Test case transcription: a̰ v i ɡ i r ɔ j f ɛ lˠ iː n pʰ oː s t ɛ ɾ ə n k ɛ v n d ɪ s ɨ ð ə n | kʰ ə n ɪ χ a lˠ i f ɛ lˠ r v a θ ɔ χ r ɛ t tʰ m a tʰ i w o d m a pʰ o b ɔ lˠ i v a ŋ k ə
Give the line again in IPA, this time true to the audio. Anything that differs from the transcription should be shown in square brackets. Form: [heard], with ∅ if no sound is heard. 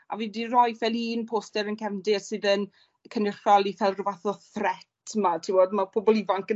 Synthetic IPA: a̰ v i [d] i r ɔ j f ɛ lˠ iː n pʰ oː s t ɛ ɾ ə n k ɛ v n d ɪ s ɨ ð ə n | kʰ ə n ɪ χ a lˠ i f ɛ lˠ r v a θ ɔ [θ] r ɛ t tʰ m a tʰ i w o d m a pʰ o b ɔ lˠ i v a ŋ k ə